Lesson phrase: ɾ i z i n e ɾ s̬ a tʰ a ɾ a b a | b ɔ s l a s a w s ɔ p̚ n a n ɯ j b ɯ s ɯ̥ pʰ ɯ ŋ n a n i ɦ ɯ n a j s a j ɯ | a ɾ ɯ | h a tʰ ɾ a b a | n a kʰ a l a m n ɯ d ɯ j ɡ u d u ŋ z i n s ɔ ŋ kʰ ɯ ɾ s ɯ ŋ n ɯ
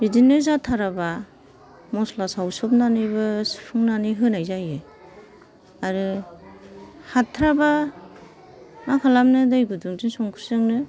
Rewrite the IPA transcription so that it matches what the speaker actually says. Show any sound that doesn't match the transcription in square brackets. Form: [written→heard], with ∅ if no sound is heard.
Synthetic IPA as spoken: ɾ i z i n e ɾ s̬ a tʰ a ɾ a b a | [b→m] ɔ s l a s a w s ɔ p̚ n a n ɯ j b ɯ s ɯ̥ pʰ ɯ ŋ n a n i ɦ ɯ n a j [s→z] a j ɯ | a ɾ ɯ | h a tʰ ɾ a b a | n a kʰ a l a m n ɯ d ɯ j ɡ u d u ŋ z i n s ɔ ŋ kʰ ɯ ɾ s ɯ ŋ n ɯ